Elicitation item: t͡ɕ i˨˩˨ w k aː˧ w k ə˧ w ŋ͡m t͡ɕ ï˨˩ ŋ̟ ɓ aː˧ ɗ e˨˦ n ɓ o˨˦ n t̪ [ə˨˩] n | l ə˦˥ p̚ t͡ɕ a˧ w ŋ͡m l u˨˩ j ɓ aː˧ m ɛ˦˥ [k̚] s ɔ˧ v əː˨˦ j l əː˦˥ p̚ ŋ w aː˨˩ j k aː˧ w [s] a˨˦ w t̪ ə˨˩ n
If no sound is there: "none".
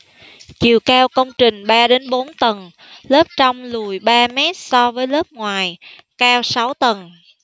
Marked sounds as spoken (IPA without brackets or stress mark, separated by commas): ə˨˩, t̚, s